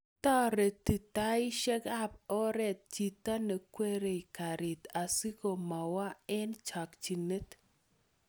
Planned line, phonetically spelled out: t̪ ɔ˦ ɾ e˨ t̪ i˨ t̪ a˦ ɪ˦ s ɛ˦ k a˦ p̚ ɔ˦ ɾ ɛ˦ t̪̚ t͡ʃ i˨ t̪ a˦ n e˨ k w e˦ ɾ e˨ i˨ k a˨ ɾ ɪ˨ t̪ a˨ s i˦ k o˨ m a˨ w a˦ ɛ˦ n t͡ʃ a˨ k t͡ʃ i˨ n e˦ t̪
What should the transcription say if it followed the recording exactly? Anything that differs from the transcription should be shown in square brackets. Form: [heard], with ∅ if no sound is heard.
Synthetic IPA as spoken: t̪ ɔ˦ ɾ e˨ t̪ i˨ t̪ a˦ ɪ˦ [ʃ] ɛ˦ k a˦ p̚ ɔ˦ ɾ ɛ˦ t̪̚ t͡ʃ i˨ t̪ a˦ n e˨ k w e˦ ɾ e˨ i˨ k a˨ ɾ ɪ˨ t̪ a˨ s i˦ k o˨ m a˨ w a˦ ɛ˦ n t͡ʃ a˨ k t͡ʃ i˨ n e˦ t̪